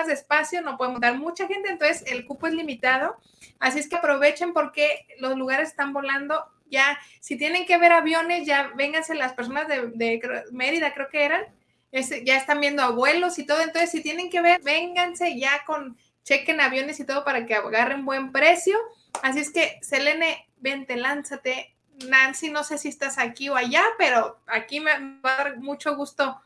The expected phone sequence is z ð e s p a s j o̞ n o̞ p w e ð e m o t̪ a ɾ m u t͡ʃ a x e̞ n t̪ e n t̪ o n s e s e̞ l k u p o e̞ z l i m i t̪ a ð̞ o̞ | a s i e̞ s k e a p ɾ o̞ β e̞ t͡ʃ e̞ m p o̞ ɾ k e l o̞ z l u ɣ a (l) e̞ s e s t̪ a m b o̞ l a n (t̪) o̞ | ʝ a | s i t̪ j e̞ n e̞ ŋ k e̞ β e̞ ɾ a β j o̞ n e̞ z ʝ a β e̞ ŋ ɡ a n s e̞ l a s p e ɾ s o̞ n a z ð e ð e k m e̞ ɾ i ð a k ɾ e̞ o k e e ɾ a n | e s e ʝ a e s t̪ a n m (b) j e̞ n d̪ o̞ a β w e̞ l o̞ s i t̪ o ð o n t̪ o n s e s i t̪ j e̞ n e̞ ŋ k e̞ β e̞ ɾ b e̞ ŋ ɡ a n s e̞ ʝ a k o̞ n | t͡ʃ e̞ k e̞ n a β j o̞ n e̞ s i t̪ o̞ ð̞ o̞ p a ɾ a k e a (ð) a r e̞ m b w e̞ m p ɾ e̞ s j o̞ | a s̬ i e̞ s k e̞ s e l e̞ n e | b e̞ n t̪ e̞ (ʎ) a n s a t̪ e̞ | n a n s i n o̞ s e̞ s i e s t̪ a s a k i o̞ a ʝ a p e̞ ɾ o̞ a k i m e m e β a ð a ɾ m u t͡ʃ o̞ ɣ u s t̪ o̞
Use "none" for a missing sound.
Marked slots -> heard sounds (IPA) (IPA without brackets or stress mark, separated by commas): ɾ, d̪, b, ɣ, l